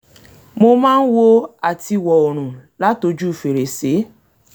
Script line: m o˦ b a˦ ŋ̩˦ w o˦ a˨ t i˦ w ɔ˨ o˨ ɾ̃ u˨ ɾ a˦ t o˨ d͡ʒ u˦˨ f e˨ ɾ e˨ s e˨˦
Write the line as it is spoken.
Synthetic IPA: m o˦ m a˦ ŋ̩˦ w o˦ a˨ t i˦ w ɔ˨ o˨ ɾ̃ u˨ l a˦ t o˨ d͡ʒ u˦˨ f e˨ ɾ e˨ s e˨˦